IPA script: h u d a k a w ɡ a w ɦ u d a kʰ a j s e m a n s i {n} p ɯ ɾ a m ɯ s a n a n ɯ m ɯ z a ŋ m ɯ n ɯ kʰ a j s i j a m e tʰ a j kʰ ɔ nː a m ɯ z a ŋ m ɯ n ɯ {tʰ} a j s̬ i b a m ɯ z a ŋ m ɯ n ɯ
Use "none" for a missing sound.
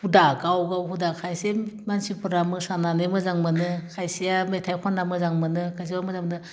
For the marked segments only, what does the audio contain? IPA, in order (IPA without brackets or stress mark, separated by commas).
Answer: none, kʰ